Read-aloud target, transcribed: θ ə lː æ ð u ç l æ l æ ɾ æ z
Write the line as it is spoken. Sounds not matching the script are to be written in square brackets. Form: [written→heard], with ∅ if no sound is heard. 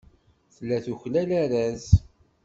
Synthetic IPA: θ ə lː æ [ð→θ] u ç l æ l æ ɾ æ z